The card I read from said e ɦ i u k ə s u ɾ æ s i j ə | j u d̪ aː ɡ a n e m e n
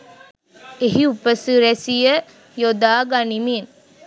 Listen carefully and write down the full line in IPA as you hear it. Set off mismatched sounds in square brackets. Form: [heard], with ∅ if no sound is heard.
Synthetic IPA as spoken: e ɦ i u [p] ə s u ɾ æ s i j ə | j [o] d̪ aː ɡ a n [i] m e n